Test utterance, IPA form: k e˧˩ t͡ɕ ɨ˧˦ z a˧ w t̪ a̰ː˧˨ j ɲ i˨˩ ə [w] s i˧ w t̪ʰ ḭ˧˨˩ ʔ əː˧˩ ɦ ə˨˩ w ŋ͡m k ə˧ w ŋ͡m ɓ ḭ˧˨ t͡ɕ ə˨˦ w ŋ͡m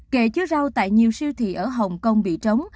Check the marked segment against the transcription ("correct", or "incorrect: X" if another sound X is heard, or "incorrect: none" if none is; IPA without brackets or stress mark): correct